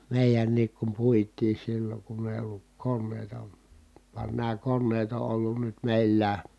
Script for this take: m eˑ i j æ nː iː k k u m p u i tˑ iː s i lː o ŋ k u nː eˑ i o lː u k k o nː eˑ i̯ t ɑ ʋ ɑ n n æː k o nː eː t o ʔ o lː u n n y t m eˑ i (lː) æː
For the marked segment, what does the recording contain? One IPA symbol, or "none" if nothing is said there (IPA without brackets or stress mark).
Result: lː